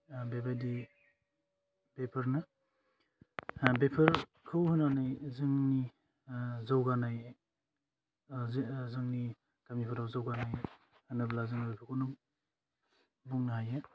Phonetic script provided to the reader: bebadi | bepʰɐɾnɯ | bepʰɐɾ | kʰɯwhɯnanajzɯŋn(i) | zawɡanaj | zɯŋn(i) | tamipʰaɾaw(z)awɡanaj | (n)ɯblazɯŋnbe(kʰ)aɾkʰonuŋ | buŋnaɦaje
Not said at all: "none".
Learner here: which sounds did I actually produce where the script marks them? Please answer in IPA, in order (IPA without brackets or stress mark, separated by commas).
i, i, z, n, pʰ